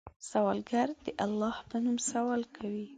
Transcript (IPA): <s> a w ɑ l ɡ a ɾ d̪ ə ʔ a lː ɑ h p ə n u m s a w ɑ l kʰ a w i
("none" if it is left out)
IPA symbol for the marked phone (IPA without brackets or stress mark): s